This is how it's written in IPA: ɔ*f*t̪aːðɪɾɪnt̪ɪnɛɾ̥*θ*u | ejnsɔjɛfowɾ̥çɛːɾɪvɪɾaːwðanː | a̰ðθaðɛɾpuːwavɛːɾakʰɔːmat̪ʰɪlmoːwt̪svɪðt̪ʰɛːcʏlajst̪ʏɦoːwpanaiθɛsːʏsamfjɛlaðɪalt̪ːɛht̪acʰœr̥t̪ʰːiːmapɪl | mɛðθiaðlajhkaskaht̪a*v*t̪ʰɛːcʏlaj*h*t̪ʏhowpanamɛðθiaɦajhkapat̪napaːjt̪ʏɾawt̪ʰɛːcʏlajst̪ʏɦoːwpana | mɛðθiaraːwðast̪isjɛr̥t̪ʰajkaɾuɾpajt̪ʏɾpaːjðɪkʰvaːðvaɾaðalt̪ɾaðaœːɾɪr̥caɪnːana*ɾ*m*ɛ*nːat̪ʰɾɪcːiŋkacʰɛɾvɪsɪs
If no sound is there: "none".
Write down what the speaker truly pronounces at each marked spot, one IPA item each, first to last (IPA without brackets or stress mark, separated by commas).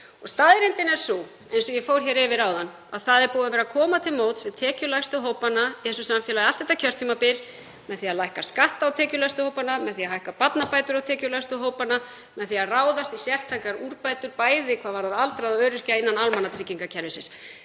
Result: s, s, w, s, l, a